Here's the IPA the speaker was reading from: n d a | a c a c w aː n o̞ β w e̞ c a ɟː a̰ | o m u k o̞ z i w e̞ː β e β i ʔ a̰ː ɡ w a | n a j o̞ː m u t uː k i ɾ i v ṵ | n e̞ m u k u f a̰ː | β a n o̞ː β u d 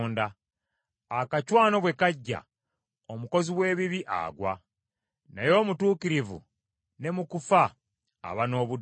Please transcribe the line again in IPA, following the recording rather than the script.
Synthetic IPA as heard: n d a | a k a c w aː n o̞ β w e̞ k a ɟː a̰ | o m u k o̞ z i w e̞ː β i β i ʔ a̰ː ɡ w a | n a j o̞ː m u t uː k i ɾ i v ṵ | n e̞ m u k u f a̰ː | β a n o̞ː β u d